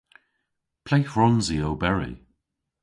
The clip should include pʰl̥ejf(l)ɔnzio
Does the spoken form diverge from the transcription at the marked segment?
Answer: yes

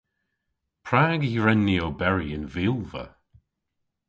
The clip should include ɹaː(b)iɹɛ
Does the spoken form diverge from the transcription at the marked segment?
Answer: yes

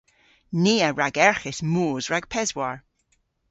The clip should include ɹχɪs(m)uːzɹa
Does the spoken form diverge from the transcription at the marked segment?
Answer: no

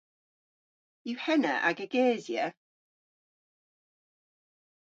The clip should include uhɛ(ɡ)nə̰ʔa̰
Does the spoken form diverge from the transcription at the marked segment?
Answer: yes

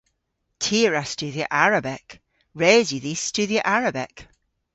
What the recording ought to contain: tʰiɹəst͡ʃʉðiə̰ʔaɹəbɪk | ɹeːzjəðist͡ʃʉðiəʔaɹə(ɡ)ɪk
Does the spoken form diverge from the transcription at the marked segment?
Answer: yes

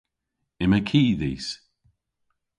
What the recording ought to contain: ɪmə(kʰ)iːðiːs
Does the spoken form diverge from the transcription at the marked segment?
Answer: no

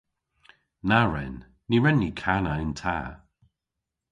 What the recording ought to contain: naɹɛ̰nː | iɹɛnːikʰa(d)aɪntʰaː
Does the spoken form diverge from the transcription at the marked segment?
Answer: yes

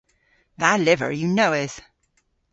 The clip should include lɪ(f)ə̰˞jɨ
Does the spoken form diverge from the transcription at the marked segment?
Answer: yes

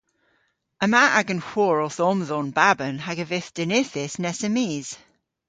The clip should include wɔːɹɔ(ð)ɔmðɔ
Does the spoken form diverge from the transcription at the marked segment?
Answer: yes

